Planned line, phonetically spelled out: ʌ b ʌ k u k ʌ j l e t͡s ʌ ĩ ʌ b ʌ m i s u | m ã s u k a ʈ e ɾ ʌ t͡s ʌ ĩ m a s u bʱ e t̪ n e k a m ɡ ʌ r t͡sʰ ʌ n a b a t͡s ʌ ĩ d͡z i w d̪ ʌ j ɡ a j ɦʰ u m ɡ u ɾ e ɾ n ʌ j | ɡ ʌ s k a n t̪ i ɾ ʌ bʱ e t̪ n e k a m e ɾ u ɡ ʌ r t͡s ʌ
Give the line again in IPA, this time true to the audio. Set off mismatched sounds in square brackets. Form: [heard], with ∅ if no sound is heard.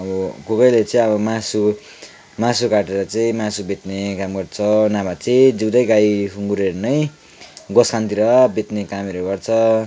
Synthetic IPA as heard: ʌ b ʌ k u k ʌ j l e t͡s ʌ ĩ ʌ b ʌ m [a] s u | m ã s u k a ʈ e ɾ ʌ t͡s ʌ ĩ m a s u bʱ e t̪ n e k a m ɡ ʌ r t͡sʰ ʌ n a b a t͡s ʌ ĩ d͡z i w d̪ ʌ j ɡ a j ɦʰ u [ŋ] ɡ u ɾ e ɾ n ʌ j | ɡ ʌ s k a n t̪ i ɾ ʌ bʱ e t̪ n e k a m e ɾ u ɡ ʌ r [t͡sʰ] ʌ

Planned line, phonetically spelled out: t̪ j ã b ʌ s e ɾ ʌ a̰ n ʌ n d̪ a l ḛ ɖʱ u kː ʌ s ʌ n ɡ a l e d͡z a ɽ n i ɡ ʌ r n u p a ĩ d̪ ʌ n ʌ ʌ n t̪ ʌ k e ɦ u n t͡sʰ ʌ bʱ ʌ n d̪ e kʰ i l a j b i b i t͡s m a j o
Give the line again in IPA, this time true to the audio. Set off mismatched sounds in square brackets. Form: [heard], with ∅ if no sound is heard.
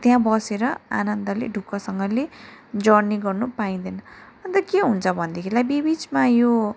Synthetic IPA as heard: t̪ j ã b ʌ s e ɾ ʌ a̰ n ʌ n d̪ [ʌ] l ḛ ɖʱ u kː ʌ s ʌ [ŋ] ɡ [ʌ] l e d͡z [ʌ] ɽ n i ɡ ʌ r n u p a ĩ d̪ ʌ n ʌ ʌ n t̪ ʌ k e ɦ u n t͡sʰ ʌ bʱ ʌ n d̪ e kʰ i l a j b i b i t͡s m a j o

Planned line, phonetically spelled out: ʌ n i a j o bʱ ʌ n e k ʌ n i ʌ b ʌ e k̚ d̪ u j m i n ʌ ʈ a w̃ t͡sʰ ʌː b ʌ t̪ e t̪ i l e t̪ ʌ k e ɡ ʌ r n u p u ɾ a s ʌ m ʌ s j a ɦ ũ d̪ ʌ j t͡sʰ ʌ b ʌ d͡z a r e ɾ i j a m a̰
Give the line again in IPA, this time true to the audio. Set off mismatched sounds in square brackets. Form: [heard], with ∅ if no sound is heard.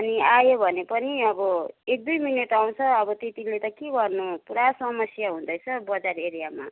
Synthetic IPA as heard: ʌ n i a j o bʱ ʌ n e [p] ʌ n i ʌ b ʌ e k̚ d̪ u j m i n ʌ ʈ a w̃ t͡sʰ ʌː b ʌ t̪ e t̪ i l e t̪ ʌ k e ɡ ʌ r n u p u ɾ a s ʌ m ʌ s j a ɦ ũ d̪ ʌ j t͡sʰ ʌ b ʌ d͡z a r e ɾ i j a m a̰

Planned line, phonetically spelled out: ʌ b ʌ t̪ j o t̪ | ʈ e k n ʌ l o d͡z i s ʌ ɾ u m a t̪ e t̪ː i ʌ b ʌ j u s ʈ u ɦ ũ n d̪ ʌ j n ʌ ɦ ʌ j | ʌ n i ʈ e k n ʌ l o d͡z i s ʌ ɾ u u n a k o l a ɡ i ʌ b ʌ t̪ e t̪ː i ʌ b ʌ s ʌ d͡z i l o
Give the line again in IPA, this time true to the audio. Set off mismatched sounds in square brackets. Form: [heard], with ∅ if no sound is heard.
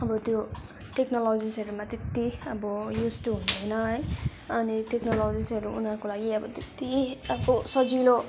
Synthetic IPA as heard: ʌ b ʌ t̪ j o [∅] | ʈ e k n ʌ l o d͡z i s ʌ ɾ u m a t̪ e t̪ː i ʌ b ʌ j u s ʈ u ɦ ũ n d̪ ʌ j n ʌ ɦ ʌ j | ʌ n i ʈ e k n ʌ l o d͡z i s ʌ ɾ u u n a k o l a ɡ i ʌ b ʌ t̪ e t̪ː i ʌ b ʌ s ʌ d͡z i l o

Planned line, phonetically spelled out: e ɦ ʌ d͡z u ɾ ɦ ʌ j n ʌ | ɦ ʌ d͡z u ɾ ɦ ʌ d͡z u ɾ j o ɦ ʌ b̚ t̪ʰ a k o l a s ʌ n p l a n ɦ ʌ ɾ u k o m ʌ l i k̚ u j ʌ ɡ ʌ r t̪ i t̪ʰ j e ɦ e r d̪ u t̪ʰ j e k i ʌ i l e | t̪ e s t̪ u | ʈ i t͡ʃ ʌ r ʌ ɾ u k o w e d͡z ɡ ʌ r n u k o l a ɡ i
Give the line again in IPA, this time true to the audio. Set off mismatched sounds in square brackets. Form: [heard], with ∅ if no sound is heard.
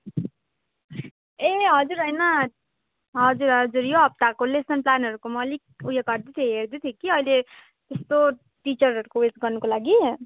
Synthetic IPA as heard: e ɦ ʌ d͡z u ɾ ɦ ʌ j n ʌ | ɦ ʌ d͡z u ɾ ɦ ʌ d͡z u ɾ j o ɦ ʌ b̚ [t̪] a k o l [e] s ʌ n p l a n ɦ ʌ ɾ u k o m ʌ l i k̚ u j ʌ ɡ ʌ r [d̪] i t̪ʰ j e ɦ e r d̪ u t̪ʰ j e k i ʌ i l e | t̪ e s t̪ [o] | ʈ i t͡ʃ ʌ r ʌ ɾ u k o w e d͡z ɡ ʌ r n u k o l a ɡ i

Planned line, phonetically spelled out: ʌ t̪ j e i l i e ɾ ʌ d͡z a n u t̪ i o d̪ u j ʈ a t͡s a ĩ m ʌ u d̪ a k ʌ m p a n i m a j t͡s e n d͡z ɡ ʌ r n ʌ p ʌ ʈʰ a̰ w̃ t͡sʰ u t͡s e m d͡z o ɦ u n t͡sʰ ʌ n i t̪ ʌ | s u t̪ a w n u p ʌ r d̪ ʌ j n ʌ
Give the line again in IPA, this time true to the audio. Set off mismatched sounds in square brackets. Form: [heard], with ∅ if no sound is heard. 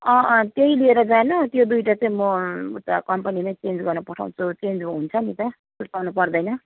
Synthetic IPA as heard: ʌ t̪ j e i l i e ɾ ʌ d͡z a n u t̪ [j] o d̪ u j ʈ a t͡s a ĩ m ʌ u [t̪] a k ʌ m p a n i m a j t͡s e n d͡z ɡ ʌ r n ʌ p ʌ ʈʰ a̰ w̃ t͡sʰ u t͡s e [n] d͡z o ɦ u n t͡sʰ ʌ n i t̪ ʌ | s u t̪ a w n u p ʌ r d̪ ʌ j n ʌ

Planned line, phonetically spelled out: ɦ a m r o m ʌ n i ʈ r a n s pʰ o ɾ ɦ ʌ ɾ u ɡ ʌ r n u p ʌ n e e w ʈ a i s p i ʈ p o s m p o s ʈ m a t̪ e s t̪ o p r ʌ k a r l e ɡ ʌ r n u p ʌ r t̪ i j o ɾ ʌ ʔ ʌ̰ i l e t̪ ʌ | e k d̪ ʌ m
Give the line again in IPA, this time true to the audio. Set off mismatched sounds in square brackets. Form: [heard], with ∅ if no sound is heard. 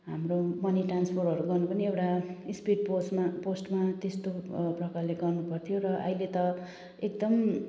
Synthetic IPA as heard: ɦ a m r o m ʌ n i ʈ r a n s pʰ o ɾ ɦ ʌ ɾ u ɡ ʌ r n u p ʌ n [i] e w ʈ a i s p i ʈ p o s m p o s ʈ m a t̪ e s t̪ o p r ʌ k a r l e ɡ ʌ r n u p ʌ r [t̪ʰ] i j o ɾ ʌ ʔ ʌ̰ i l e t̪ ʌ | e k d̪ ʌ m

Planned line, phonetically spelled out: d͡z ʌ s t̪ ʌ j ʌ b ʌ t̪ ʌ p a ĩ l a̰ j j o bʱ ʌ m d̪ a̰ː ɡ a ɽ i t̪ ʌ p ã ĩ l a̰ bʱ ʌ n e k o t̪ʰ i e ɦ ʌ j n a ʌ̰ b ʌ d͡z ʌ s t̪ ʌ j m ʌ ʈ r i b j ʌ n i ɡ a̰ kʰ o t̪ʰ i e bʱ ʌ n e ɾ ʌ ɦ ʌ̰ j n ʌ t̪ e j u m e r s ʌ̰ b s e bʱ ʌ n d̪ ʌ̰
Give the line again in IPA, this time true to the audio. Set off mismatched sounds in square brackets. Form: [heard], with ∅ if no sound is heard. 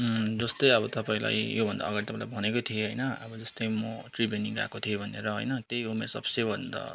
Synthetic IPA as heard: d͡z ʌ s t̪ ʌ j ʌ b ʌ t̪ ʌ p a ĩ l a̰ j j o bʱ ʌ [n] d̪ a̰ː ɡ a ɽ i t̪ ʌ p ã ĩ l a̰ bʱ ʌ n e k o t̪ʰ i e ɦ ʌ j n [ʌ] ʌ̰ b ʌ d͡z ʌ s t̪ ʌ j m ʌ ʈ r i b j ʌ n i ɡ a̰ [k] o t̪ʰ i e bʱ ʌ n e ɾ ʌ ɦ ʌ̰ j n ʌ t̪ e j u m e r s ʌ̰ b s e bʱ ʌ n d̪ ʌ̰

